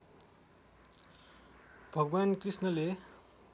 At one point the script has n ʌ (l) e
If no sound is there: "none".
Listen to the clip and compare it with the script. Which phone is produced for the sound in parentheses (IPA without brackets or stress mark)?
l